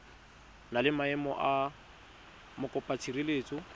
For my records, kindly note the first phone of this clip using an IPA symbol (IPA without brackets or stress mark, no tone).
n